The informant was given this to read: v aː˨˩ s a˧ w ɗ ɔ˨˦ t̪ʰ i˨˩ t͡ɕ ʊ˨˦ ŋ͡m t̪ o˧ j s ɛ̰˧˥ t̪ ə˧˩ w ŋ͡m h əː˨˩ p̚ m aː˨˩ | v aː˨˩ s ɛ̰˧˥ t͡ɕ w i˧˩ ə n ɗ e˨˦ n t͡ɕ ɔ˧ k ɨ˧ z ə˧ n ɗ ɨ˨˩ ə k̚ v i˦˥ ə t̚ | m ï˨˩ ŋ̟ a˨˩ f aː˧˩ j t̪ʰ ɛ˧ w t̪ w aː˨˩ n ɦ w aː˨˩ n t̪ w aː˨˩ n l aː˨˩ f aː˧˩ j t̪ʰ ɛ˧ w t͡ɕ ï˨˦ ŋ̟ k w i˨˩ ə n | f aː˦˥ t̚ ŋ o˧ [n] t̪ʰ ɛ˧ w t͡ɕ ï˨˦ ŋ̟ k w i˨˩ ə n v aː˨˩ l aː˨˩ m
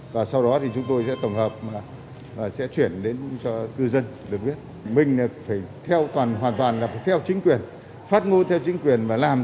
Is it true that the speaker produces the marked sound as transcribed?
yes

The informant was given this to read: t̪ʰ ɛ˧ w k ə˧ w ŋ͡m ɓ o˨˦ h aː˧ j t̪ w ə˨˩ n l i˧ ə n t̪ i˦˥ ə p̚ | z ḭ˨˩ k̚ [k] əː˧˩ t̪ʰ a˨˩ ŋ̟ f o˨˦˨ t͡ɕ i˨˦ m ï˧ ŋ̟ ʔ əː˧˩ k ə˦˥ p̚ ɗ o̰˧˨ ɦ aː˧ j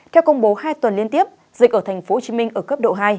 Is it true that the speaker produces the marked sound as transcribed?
no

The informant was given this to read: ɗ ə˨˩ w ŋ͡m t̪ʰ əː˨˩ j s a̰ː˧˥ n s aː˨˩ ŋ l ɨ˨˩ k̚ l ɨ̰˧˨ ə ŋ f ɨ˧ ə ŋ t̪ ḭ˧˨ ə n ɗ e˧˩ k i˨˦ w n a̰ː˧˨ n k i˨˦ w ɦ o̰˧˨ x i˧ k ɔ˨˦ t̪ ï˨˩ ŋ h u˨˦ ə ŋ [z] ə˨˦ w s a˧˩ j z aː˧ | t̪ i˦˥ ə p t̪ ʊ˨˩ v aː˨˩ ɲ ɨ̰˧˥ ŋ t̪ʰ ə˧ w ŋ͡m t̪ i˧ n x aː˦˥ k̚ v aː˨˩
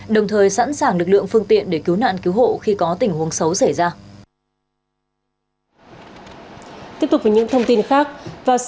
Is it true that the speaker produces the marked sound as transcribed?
no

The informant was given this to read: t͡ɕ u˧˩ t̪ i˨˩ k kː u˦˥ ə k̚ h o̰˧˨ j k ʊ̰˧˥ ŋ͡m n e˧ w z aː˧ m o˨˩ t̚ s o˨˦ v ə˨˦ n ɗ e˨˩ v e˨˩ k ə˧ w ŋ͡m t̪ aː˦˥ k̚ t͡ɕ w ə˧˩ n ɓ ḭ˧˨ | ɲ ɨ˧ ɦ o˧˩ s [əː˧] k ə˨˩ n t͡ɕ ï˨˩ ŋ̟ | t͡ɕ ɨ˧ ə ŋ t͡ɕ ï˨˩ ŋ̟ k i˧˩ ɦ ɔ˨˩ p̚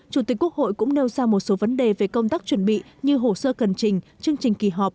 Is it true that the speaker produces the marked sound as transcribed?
yes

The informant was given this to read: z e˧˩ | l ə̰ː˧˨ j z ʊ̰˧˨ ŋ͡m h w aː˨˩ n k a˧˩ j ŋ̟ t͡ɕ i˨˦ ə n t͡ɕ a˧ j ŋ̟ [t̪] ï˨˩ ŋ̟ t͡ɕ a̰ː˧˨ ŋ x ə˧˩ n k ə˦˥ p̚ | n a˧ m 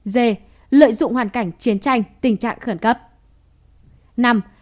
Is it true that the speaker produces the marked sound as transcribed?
yes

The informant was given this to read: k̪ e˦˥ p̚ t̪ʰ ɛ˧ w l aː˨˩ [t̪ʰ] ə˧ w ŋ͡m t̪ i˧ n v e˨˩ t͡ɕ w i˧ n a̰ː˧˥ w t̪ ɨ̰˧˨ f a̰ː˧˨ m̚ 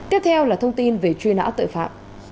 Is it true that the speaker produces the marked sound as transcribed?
yes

